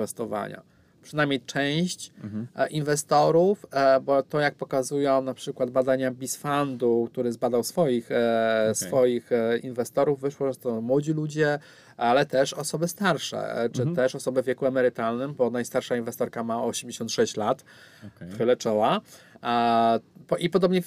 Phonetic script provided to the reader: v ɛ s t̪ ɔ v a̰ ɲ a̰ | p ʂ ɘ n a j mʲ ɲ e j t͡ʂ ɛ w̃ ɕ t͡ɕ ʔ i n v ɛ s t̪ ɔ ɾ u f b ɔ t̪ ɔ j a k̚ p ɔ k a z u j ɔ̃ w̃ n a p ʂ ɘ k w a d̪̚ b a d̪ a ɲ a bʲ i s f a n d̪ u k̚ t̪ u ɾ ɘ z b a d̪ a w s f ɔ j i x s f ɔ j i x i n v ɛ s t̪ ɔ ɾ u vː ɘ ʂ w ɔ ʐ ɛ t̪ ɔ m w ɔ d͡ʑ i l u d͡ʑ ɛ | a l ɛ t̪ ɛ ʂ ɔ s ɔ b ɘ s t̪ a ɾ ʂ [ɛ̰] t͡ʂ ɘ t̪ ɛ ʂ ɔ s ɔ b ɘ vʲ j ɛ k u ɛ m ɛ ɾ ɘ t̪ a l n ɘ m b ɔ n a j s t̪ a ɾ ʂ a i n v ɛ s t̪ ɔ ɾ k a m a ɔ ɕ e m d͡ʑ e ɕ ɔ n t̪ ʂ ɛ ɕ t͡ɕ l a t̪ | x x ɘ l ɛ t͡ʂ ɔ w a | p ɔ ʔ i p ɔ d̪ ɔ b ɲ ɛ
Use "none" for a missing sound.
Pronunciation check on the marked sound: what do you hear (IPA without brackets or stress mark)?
ɛ̰